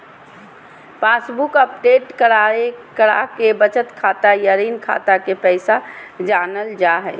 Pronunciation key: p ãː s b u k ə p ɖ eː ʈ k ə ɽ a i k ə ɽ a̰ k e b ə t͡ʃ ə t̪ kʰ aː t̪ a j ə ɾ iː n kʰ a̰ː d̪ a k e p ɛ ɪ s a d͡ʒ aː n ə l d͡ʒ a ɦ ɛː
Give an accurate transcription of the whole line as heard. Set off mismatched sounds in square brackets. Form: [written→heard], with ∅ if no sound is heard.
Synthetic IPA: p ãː s b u k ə p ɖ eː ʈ k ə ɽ a [i→e] k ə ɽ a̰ k e b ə t͡ʃ ə t̪ kʰ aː t̪ a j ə ɾ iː n kʰ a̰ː [d̪→t̪] a k e p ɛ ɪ s a d͡ʒ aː n ə l d͡ʒ a ɦ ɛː